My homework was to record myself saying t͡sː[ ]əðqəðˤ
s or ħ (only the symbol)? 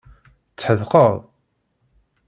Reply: ħ